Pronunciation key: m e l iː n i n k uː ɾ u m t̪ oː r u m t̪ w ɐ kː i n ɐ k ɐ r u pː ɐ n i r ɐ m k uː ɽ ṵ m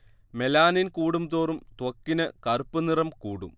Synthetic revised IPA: m e l aː n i n k uː ɽ u m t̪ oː r u m t̪ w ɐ kː i n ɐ k ɐ r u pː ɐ n i r ɐ m k uː ɽ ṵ m